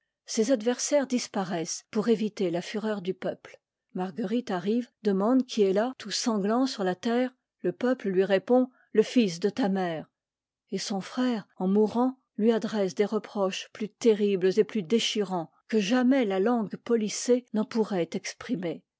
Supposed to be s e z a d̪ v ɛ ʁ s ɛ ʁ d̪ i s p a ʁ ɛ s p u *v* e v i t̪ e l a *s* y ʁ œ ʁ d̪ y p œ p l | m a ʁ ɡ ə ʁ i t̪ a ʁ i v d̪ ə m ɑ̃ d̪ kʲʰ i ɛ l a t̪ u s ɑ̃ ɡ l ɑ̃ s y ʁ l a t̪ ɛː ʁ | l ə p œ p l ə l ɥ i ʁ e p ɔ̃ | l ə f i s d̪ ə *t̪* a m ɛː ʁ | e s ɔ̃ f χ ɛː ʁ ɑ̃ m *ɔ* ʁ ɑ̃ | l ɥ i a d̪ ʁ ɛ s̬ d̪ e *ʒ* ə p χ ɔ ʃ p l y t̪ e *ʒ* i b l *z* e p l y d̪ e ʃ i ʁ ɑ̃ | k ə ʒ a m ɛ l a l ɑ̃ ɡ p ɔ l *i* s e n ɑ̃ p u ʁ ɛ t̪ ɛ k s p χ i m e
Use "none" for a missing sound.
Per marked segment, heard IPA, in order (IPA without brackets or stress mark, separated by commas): ʁ, f, t̪, u, ʁ, ʁ, z, i